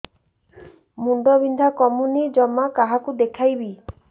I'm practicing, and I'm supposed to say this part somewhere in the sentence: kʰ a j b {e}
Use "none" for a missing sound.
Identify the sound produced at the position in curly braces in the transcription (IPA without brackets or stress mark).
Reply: i